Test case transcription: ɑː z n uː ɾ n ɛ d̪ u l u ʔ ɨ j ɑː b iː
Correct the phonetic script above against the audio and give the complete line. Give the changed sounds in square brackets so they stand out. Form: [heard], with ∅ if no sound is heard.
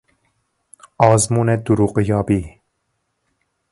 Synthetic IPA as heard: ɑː z [m] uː [∅] n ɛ d̪ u [ɾ] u [q] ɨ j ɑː b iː